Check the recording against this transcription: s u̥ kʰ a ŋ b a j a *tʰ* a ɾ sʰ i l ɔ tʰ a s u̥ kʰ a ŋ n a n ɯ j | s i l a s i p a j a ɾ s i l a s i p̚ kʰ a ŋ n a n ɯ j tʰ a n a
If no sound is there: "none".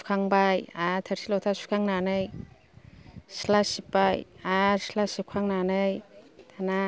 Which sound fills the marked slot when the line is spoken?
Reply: tʰ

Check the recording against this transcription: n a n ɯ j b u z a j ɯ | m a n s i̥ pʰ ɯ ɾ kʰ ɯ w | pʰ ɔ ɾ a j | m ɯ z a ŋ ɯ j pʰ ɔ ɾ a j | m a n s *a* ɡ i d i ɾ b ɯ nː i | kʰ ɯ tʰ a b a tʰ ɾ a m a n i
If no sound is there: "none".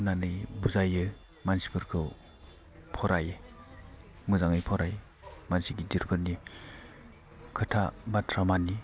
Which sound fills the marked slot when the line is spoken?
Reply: i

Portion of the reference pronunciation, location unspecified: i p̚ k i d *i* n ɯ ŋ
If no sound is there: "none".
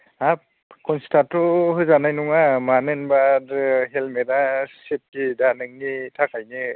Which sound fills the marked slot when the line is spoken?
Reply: a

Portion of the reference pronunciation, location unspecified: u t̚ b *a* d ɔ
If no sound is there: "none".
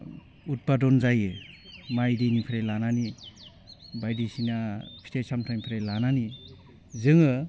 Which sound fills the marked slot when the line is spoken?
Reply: a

